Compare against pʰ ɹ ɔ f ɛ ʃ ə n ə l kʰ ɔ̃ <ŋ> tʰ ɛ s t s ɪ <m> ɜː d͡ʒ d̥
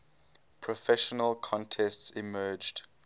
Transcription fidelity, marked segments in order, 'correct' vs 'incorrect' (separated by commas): incorrect, correct